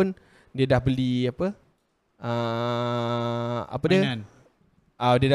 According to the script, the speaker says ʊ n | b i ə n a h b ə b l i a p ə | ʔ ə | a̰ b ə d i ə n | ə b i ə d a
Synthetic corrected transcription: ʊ n | d i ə d a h b ə l i a p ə | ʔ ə | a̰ p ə d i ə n | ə d i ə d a